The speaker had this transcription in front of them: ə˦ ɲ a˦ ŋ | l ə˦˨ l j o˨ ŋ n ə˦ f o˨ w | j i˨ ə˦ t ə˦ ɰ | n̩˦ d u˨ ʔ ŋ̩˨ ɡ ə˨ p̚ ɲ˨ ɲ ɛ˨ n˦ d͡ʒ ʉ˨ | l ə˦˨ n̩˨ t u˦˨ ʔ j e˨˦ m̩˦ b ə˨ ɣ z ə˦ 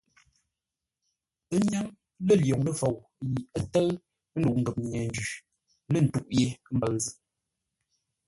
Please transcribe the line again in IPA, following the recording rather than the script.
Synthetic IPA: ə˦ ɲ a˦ ŋ | l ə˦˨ l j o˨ ŋ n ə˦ f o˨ w | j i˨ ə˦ t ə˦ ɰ | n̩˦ d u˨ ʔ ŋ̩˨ ɡ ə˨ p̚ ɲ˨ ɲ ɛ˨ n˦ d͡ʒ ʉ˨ | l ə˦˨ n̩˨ t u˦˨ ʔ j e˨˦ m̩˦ b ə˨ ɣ z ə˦